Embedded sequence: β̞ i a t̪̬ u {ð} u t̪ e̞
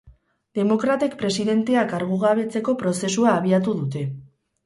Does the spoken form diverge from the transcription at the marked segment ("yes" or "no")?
no